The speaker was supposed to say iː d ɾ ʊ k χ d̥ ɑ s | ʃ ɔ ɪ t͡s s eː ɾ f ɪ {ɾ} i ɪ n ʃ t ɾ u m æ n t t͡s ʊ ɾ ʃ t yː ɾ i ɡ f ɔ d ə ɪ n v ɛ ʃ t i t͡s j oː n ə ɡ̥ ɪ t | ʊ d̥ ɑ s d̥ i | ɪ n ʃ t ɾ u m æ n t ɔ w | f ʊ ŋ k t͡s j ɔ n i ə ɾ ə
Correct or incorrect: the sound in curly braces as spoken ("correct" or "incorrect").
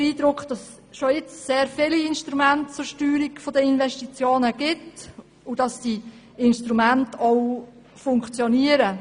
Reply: incorrect